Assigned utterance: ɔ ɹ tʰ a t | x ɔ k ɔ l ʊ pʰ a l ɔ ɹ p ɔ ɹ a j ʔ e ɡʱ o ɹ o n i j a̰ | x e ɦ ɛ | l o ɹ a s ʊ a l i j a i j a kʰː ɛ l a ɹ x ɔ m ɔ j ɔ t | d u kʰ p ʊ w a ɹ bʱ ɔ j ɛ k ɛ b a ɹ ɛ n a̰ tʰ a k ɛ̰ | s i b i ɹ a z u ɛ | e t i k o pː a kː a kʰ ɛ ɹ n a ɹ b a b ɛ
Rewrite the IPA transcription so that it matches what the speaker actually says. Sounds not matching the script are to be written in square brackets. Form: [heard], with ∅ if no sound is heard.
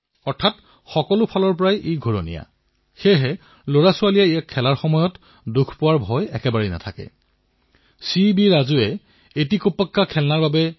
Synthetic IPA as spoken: ɔ ɹ tʰ a t | x ɔ k ɔ l ʊ pʰ a l ɔ ɹ p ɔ ɹ a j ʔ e ɡʱ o ɹ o n i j a̰ | x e ɦ ɛ | l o ɹ a s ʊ a l i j a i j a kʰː ɛ l a ɹ x ɔ m ɔ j ɔ t | d u kʰ p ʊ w a ɹ bʱ ɔ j ɛ k ɛ b a ɹ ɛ n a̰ tʰ a k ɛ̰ | s i b i ɹ a z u ɛ | e t i k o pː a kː a kʰ ɛ [l] n a ɹ b a b ɛ